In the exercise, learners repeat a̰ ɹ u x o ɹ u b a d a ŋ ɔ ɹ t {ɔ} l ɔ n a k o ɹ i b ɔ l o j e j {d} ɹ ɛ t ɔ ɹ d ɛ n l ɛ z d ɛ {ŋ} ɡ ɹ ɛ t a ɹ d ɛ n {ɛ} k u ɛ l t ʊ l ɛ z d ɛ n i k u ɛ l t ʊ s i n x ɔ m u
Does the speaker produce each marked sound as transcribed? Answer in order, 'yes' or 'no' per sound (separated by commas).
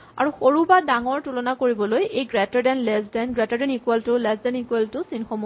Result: no, no, no, no